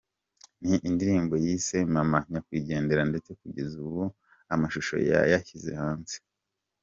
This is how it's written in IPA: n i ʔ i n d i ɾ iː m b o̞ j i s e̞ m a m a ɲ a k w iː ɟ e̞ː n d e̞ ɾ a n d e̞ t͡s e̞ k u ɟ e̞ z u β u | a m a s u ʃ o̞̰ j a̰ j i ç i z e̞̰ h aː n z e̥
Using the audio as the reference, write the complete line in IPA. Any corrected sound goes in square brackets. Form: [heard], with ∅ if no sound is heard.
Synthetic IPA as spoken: n i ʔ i n d i ɾ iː m b o̞ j i s e̞ m a m a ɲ a k w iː ɟ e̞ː n d e̞ ɾ a n d e̞ t͡s e̞ k u ɟ e̞ z u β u | a m a [ʃ] u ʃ o̞̰ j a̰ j [a] ç i z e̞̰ h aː n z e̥